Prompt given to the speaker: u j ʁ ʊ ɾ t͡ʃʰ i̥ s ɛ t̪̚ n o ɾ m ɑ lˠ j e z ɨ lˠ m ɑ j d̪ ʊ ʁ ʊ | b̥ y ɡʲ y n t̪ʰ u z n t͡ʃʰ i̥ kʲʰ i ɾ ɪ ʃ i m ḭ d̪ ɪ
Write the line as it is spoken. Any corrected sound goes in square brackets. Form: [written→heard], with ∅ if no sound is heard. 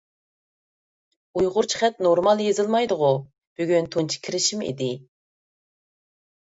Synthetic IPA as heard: u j ʁ ʊ ɾ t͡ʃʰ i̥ [s→χ] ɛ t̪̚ n o ɾ m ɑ lˠ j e z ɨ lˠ m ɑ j d̪ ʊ ʁ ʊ | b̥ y ɡʲ y n t̪ʰ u [z→∅] n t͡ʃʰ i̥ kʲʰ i ɾ ɪ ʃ i m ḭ d̪ ɪ

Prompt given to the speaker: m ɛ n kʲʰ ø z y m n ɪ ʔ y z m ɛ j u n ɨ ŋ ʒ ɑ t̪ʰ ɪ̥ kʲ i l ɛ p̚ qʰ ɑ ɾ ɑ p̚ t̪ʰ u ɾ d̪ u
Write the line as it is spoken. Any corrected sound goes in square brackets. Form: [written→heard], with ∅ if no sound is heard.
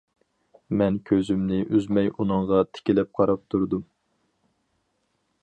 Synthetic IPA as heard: m ɛ n kʲʰ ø z y m n ɪ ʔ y z m ɛ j u n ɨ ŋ [ʒ→ʁ] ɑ t̪ʰ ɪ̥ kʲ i l ɛ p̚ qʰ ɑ ɾ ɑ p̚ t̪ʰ u ɾ d̪ u

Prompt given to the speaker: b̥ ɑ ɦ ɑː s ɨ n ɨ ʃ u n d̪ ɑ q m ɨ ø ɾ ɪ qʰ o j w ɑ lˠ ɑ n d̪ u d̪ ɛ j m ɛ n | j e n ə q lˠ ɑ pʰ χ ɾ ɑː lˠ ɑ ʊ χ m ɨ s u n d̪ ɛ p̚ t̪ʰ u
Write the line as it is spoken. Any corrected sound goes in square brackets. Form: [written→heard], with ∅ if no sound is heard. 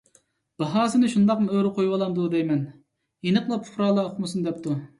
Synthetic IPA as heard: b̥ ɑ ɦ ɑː s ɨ n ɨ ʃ u n d̪ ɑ q m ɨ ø ɾ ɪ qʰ o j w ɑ lˠ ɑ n d̪ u d̪ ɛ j m ɛ n | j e n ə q lˠ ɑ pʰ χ ɾ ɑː lˠ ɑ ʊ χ m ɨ s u n d̪ ɛ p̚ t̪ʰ u

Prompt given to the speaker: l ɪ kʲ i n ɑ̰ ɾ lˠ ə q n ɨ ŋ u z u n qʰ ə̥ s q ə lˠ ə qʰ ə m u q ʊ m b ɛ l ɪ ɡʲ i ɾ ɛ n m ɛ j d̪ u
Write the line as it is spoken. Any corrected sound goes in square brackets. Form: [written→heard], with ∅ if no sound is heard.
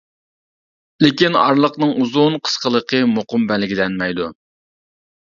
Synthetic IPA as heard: l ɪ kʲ i n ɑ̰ ɾ lˠ ə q n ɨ ŋ u z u n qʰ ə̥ s q ə lˠ ə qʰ ə m [u→o] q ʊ m b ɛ l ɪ ɡʲ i [ɾ→l] ɛ n m ɛ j d̪ u

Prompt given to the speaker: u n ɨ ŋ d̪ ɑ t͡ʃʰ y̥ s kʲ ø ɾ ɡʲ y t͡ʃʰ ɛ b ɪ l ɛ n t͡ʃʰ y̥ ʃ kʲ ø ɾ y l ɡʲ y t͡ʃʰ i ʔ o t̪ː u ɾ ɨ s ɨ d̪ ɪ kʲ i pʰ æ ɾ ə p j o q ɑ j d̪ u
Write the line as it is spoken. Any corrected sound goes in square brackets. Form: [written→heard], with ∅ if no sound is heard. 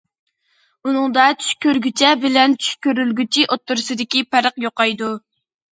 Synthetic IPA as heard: u n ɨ ŋ d̪ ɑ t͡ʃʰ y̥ [s→ʃ] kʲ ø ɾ ɡʲ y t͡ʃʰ ɛ b ɪ l ɛ n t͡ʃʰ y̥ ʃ kʲ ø ɾ y l ɡʲ y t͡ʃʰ i ʔ o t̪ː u ɾ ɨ s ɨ d̪ ɪ kʲ i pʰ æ ɾ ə [p→q] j o q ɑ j d̪ u

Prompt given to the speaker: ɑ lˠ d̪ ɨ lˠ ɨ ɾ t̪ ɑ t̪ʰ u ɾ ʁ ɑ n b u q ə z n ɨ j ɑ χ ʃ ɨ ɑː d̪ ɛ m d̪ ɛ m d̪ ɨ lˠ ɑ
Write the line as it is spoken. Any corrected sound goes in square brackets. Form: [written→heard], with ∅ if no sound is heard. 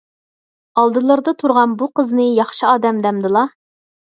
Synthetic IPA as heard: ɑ lˠ d̪ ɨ lˠ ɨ ɾ [t̪→d̪] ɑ t̪ʰ u ɾ ʁ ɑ n b u q ə z n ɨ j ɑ χ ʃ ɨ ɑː d̪ ɛ m d̪ ɛ m d̪ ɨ lˠ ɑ

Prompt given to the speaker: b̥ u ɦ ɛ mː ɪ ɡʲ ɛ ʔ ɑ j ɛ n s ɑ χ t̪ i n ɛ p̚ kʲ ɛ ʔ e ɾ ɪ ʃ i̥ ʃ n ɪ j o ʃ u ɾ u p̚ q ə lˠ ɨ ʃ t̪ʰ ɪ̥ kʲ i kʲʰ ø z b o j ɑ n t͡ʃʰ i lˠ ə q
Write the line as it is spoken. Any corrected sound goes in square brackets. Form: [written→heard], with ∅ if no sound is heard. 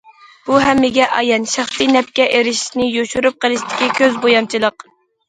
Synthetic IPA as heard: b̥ u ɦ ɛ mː ɪ ɡʲ ɛ ʔ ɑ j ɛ n [s→ʃ] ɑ χ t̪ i n ɛ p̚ kʲ ɛ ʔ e ɾ ɪ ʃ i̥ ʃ n ɪ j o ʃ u ɾ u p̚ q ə lˠ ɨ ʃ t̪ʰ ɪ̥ kʲ i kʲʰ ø z b o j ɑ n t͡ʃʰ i lˠ ə q

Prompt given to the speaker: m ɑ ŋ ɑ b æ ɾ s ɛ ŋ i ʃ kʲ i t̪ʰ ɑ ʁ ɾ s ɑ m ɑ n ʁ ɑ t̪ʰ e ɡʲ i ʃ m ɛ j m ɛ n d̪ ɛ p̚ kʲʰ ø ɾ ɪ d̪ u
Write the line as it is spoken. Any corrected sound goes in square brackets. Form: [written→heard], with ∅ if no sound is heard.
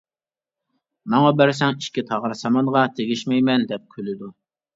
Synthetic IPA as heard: m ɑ ŋ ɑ b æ ɾ s ɛ ŋ i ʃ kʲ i t̪ʰ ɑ ʁ ɾ s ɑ m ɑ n ʁ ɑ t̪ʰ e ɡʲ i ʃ m ɛ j m ɛ n d̪ ɛ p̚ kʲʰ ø [ɾ→l] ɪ d̪ u

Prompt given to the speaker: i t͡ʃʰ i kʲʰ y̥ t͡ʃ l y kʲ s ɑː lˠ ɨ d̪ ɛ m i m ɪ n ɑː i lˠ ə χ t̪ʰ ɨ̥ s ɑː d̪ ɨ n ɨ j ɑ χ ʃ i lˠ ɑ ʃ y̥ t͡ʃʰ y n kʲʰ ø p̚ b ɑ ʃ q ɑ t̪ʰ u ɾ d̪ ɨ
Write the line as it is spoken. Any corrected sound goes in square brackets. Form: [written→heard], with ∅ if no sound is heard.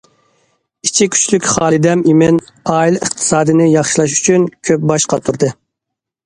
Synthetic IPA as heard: i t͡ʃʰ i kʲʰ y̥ t͡ʃ l y kʲ [s→χ] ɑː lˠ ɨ d̪ ɛ m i m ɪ n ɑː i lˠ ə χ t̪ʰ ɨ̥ s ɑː d̪ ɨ n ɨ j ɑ χ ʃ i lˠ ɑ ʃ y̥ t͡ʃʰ y n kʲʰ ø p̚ b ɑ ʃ q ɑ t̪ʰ u ɾ d̪ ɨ

